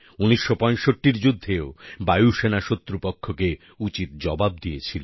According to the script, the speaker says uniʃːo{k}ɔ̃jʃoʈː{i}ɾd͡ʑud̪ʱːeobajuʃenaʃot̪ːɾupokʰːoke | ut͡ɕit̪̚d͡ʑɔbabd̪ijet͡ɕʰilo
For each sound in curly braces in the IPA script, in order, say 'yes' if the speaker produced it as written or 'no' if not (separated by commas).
no, yes